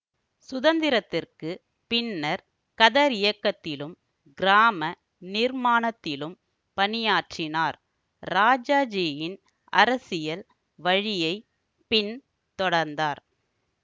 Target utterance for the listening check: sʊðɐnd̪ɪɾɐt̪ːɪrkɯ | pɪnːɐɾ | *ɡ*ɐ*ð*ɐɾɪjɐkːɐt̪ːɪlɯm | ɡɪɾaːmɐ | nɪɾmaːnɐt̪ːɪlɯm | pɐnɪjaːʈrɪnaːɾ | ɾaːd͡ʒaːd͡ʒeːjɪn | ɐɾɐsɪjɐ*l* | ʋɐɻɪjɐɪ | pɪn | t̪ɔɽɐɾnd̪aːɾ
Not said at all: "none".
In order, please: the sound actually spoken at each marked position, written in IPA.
k, ð, l

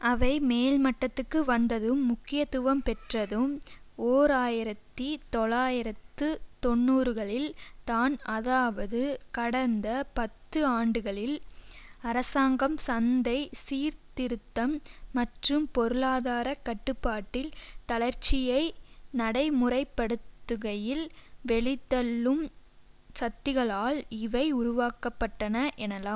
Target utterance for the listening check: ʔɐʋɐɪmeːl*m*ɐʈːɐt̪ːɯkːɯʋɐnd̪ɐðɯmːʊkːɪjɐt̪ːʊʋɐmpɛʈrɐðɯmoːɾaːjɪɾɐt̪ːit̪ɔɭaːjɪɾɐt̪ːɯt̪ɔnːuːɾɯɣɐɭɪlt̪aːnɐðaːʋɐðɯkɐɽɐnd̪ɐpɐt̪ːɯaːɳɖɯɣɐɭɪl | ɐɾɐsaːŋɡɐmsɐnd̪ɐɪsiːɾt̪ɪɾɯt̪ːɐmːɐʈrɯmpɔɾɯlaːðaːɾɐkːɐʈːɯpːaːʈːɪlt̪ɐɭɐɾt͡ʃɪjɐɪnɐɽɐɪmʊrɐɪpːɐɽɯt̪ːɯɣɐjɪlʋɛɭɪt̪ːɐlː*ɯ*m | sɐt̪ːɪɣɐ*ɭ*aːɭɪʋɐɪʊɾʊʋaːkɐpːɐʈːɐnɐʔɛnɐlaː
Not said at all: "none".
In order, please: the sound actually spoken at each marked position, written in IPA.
m, ɯ, ɭ

